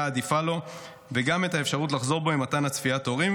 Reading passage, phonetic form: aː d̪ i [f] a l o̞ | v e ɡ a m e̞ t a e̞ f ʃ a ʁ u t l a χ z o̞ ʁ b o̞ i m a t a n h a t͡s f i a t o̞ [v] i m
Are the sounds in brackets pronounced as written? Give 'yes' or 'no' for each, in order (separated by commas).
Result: yes, no